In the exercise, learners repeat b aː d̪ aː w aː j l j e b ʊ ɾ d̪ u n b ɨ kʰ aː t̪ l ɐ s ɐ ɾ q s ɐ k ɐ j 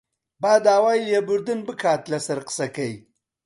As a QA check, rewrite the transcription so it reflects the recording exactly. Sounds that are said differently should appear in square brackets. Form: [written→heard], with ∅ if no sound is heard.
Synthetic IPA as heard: b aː d̪ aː w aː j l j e b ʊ ɾ d̪ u n b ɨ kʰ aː t̪ l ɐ s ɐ ɾ q s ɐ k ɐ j